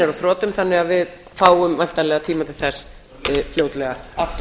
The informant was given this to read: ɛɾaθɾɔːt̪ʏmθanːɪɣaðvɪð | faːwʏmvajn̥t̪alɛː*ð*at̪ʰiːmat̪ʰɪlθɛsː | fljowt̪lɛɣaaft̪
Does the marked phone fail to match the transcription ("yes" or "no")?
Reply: yes